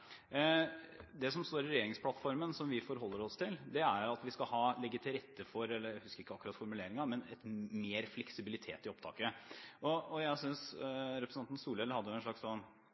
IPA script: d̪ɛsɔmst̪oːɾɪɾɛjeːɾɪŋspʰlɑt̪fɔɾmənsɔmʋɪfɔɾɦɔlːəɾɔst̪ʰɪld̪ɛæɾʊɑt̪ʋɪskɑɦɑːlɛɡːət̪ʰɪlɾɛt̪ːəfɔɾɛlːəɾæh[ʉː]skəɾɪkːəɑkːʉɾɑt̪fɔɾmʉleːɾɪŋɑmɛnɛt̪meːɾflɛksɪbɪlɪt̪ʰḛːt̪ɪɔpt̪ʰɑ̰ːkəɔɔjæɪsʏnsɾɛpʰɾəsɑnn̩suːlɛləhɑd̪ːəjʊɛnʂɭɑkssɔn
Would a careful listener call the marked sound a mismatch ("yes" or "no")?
yes